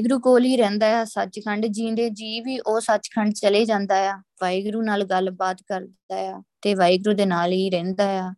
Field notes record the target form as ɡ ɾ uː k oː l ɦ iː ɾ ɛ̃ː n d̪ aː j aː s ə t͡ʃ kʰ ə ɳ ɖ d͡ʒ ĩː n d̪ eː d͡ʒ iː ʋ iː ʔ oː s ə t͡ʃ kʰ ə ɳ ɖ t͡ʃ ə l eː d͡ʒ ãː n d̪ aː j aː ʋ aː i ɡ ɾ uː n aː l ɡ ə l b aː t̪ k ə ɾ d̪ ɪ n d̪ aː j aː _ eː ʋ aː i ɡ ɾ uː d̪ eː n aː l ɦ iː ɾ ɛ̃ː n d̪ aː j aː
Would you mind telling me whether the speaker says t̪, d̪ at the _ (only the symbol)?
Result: t̪